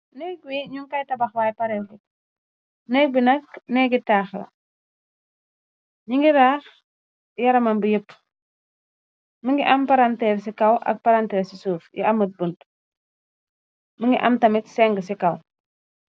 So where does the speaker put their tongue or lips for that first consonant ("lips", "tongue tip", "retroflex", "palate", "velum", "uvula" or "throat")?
tongue tip